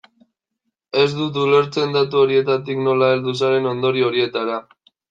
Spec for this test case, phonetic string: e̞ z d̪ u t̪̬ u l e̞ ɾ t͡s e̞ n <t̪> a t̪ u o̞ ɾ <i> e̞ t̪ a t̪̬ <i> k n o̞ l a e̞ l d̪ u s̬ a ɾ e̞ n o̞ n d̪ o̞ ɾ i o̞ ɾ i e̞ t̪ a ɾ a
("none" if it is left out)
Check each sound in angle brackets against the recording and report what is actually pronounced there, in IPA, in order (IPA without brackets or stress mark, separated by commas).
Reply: d̪, i, i